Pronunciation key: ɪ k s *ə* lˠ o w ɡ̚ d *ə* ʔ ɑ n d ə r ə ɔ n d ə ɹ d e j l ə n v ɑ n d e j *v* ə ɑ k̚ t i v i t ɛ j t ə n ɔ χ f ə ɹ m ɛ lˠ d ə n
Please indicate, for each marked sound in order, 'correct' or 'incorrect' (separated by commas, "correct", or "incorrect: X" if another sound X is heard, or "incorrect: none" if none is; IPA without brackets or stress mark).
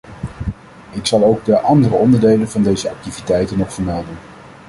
incorrect: ɑ, correct, incorrect: z